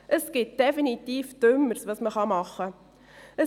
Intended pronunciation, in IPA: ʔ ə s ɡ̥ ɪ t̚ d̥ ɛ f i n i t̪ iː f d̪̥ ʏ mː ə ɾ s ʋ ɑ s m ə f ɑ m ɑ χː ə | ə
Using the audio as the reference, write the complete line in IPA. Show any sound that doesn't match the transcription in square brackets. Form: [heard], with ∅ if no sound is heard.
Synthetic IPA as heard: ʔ ə s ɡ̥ ɪ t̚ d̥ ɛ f i n i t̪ iː f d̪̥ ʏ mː ə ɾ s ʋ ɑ s m ə [χ] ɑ m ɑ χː ə | ə